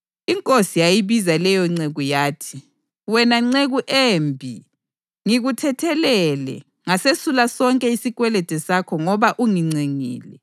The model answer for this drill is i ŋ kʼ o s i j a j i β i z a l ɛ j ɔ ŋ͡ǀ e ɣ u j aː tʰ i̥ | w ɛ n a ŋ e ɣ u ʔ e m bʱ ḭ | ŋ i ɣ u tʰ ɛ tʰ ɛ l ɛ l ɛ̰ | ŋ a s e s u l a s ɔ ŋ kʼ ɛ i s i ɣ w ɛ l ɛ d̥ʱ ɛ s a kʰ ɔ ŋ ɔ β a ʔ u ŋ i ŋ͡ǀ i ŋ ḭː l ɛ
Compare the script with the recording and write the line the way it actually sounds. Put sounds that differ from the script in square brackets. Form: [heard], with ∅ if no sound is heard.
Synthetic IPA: i ŋ kʼ o s i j a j i β i z a l ɛ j ɔ ŋ͡ǀ e ɣ u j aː tʰ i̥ | w ɛ n a [ŋ͡ǀ] e ɣ u ʔ e m bʱ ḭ | ŋ i ɣ u tʰ ɛ tʰ ɛ l ɛ l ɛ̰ | ŋ a s e s u l a s ɔ ŋ kʼ ɛ i s i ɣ w ɛ l ɛ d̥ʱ ɛ s a kʰ ɔ ŋ ɔ β a ʔ u ŋ i ŋ͡ǀ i ŋ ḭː l ɛ